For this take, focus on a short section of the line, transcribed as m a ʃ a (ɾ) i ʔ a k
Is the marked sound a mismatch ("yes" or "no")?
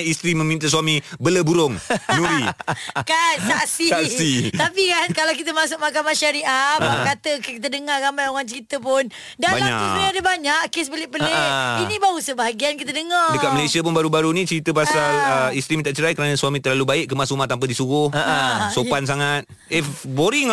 no